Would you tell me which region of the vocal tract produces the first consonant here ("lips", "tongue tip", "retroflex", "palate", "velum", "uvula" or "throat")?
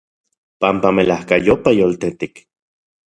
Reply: lips